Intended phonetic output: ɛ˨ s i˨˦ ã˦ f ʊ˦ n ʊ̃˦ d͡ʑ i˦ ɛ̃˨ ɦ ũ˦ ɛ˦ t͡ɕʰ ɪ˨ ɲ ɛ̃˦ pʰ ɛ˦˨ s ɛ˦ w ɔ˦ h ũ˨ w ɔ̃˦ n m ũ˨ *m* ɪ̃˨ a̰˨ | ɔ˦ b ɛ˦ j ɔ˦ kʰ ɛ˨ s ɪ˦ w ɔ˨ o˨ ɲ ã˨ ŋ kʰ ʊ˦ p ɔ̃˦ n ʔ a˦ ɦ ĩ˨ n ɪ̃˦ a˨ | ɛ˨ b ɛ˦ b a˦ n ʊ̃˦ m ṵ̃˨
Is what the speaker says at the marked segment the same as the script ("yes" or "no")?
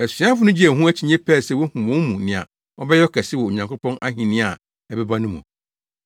no